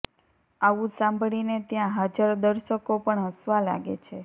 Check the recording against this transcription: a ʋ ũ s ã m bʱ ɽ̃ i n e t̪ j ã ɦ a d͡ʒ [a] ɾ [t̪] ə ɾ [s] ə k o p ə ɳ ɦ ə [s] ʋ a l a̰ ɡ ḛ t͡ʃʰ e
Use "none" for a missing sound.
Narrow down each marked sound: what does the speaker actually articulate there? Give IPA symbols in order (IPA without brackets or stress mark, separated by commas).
ə, d̪, ʃ, s